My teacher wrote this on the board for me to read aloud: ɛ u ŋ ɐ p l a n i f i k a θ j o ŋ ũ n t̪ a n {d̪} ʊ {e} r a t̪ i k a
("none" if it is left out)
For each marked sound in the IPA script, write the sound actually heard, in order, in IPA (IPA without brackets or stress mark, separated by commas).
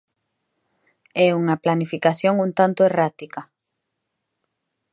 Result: t̪, e